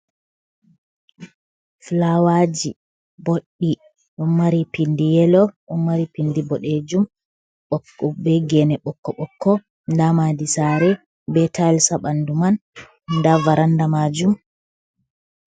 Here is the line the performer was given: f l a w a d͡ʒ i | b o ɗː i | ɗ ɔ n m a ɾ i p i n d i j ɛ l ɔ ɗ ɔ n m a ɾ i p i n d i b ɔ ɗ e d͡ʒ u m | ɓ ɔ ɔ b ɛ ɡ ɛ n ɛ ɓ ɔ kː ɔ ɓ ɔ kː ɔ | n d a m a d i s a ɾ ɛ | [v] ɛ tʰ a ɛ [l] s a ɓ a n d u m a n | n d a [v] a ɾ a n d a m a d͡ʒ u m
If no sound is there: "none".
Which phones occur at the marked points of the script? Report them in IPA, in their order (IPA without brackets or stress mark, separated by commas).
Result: b, l, v